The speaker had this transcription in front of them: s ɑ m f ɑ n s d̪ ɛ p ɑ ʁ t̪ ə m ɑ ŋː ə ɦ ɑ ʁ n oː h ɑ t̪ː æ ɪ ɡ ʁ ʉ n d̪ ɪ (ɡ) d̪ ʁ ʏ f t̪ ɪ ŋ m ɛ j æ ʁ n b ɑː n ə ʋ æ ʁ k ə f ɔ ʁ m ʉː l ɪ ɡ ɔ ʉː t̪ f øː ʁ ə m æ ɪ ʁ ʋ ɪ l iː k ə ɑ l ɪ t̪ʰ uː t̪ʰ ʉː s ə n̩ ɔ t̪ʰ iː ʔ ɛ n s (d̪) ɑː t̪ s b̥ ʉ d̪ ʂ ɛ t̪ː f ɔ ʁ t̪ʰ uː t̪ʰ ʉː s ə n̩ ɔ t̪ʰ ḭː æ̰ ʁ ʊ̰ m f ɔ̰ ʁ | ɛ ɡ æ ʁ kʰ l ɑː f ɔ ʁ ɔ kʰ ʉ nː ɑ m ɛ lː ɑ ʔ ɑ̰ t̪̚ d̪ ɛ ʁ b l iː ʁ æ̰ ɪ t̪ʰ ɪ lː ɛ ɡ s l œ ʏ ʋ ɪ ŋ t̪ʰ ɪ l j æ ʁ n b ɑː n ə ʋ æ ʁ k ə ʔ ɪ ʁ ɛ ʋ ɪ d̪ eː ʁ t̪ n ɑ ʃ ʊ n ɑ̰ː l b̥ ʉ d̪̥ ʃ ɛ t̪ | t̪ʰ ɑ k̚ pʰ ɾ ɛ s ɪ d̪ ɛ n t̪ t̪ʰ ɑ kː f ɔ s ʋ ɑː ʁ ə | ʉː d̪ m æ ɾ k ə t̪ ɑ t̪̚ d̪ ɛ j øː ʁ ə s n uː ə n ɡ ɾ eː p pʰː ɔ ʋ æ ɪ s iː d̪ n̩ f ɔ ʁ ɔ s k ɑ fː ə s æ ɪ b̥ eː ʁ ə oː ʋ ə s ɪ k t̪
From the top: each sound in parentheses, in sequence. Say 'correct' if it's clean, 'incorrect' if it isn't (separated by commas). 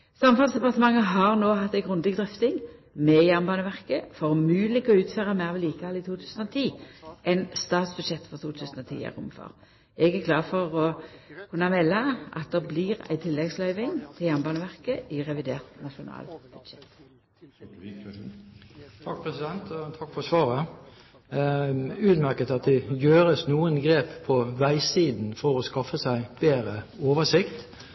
correct, incorrect